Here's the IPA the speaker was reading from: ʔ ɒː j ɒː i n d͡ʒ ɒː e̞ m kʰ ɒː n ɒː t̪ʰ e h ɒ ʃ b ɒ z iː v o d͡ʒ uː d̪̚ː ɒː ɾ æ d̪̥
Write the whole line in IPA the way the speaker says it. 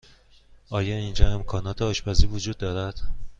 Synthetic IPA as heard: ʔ ɒː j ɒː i n d͡ʒ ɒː e̞ m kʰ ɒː n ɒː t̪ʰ e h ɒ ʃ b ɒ z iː v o d͡ʒ uː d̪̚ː ɒː ɾ æ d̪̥